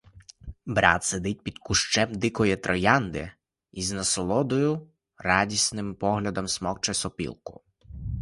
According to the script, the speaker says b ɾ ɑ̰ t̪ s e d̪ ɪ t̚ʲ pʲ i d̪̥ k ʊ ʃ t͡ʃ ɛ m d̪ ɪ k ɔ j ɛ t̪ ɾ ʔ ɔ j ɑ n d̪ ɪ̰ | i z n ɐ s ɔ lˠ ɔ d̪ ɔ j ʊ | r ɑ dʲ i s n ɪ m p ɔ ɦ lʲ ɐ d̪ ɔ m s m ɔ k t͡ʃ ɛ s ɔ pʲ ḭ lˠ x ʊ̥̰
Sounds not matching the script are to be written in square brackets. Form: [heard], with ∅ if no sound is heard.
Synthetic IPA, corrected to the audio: b ɾ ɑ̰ t̪ s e d̪ ɪ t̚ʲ pʲ i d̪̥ k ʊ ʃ t͡ʃ ɛ m d̪ ɪ k ɔ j ɛ t̪ ɾ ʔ ɔ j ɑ n d̪ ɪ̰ | i z n ɐ s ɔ lˠ ɔ d̪ ɔ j ʊ | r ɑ dʲ i s n ɪ m p ɔ ɦ lʲ ɐ d̪ ɔ m s m ɔ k t͡ʃ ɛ s ɔ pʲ ḭ lˠ [k] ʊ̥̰